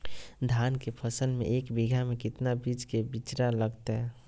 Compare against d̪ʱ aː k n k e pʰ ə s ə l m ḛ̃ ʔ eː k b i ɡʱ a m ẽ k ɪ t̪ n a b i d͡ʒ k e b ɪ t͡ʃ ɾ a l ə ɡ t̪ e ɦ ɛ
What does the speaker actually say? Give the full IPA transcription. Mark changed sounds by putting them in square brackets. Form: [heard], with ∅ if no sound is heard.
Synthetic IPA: d̪ʱ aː [∅] n k e pʰ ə s ə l m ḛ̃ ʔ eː k b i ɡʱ a m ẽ k ɪ t̪ n a b i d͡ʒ k e b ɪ t͡ʃ ɾ a l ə ɡ t̪ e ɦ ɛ